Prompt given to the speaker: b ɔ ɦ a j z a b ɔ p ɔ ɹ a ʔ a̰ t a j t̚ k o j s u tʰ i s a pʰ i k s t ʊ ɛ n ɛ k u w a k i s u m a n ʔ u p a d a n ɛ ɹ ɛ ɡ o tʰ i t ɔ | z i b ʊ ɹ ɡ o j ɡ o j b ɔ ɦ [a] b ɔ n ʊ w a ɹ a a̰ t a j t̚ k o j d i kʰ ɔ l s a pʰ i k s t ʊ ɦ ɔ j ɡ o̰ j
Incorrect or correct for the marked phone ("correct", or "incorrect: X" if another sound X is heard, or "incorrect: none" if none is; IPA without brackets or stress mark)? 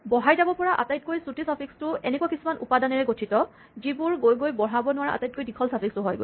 correct